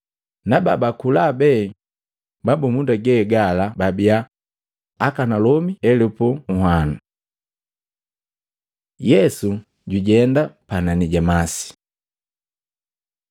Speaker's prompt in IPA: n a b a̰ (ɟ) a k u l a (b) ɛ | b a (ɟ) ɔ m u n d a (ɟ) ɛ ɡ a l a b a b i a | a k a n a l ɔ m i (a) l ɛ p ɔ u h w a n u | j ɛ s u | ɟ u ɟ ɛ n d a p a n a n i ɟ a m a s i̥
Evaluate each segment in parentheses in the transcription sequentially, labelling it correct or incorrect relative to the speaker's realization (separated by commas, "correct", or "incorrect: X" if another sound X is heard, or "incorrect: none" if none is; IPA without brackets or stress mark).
incorrect: b, correct, incorrect: b, incorrect: ɡ, incorrect: ɛ